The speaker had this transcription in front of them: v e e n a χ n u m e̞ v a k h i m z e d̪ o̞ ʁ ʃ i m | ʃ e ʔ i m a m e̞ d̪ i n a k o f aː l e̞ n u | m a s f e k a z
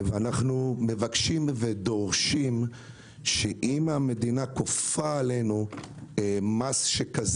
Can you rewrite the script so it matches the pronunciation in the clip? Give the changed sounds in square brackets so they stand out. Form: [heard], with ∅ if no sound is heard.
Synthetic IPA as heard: v e [a] n a χ n u m e̞ v a k [ʃ] i m [v] e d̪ o̞ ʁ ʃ i m | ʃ e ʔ i m a m e̞ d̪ i n a k o f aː l e̞ n u | m a s [ʃ] e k a z